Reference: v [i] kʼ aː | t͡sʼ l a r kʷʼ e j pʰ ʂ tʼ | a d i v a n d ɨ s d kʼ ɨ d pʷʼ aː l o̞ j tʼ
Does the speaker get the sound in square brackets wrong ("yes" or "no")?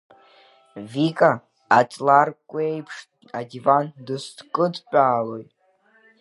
no